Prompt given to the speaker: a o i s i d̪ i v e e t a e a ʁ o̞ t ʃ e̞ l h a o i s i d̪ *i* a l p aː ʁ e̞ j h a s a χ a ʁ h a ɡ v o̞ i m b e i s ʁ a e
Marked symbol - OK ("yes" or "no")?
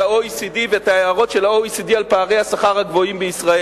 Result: yes